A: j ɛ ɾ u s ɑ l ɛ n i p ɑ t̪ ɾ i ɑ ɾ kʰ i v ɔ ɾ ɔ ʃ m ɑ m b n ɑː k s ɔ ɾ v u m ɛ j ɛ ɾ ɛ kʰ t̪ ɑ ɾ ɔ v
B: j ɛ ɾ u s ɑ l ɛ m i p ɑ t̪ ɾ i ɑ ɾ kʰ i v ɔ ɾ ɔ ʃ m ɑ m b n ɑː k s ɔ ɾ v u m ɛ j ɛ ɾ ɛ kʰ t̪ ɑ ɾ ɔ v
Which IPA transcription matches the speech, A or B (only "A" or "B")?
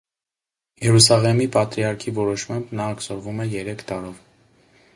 B